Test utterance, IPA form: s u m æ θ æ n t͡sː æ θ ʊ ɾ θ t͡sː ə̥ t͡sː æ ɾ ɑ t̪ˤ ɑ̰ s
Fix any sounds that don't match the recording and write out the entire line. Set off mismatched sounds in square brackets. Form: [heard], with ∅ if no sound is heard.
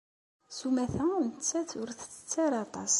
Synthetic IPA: s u m æ θ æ n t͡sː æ θ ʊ ɾ θ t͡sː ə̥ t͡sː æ ɾ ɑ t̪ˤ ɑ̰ s